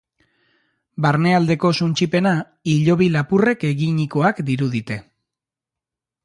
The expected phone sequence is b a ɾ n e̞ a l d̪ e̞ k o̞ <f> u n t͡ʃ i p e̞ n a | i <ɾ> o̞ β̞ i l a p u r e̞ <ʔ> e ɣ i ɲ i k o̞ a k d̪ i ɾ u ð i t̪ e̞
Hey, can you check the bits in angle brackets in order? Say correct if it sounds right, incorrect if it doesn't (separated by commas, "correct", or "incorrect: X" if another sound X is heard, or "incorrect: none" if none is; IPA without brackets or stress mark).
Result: incorrect: s, incorrect: ʎ, incorrect: k